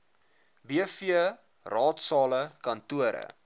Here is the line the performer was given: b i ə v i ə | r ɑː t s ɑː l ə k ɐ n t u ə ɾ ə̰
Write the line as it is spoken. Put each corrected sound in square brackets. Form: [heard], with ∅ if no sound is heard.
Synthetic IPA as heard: b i ə [f] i ə | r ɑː t s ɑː l ə k ɐ n t u ə ɾ ə̰